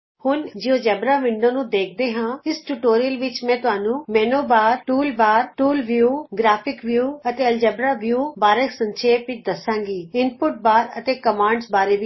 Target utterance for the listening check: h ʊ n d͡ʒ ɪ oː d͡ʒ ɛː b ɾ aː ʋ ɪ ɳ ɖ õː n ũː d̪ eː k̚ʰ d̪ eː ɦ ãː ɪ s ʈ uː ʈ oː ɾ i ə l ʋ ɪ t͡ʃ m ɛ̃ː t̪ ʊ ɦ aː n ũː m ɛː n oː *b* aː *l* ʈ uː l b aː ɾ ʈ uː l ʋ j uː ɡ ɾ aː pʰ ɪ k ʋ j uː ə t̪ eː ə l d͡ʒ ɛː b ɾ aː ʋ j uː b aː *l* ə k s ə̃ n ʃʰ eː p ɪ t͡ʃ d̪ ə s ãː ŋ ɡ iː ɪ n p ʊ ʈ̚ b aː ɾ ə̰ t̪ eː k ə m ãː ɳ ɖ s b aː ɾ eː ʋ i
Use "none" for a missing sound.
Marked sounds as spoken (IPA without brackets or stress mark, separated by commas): b, ɾ, ɾ